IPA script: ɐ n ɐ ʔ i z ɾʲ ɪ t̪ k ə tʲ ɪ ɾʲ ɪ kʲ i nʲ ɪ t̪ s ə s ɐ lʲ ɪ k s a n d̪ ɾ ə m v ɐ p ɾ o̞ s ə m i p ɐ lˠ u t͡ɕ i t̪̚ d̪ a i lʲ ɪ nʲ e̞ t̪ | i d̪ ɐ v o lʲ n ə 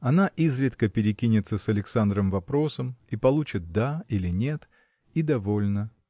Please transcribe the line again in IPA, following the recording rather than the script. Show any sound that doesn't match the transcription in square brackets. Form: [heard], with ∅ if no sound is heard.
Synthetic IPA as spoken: ɐ n [a] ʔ i z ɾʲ ɪ t̪ k ə [pʲ] ɪ ɾʲ ɪ kʲ i nʲ ɪ t̪ s ə s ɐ lʲ ɪ k s a n d̪ ɾ ə m v ɐ p ɾ o̞ s ə m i p ɐ lˠ u t͡ɕ [ɪ] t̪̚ d̪ a i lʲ ɪ nʲ e̞ t̪ | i d̪ ɐ v o lʲ n ə